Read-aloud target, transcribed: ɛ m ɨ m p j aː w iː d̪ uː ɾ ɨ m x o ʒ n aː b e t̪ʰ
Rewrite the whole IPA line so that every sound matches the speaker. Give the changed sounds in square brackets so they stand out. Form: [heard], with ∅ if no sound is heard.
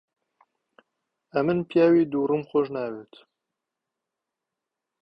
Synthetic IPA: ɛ m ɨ [n] p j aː w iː d̪ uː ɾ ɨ m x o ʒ n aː [w] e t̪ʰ